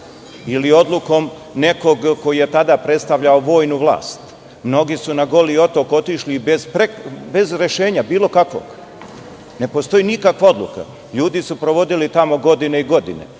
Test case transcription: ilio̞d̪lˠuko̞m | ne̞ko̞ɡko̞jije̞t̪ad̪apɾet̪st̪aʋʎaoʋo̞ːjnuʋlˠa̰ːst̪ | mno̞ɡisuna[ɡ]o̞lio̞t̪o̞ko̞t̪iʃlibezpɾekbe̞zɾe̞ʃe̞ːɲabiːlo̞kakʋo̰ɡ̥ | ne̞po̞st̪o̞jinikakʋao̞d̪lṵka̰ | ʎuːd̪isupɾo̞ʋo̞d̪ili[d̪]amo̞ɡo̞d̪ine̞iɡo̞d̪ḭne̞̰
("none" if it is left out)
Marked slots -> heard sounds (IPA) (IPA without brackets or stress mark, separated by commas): ɡ, t̪